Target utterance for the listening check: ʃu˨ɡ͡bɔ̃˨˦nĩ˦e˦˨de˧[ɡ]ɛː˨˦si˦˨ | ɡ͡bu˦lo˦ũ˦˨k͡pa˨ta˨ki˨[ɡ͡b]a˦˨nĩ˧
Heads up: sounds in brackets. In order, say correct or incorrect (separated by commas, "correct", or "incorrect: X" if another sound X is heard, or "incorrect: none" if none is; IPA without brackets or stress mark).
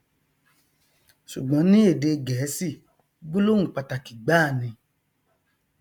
correct, correct